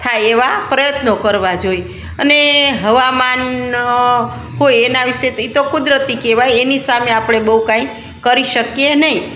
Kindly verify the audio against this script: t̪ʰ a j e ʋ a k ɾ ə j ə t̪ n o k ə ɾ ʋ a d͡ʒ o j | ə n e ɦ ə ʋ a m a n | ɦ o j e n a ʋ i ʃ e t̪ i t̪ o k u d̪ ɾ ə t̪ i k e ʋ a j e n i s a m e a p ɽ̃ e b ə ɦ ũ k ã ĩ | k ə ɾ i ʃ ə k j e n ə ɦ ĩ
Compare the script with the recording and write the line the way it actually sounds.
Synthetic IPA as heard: t̪ʰ a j e ʋ a p ɾ ə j ə t̪ n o k ə ɾ ʋ a d͡ʒ o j | ə n e ɦ ə ʋ a m a n | ɦ o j e n a ʋ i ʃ e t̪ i t̪ o k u d̪ ɾ ə t̪ i k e ʋ a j e n i s a m e a p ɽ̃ e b ə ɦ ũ k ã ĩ | k ə ɾ i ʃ ə k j e n ə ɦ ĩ